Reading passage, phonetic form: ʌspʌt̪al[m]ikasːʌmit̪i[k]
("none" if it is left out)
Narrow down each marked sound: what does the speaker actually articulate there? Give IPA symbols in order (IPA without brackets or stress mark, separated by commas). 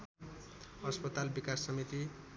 b, none